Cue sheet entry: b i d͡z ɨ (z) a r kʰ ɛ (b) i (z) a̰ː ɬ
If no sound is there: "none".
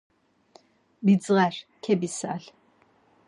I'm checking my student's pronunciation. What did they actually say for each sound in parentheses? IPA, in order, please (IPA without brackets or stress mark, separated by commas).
ʁ, b, s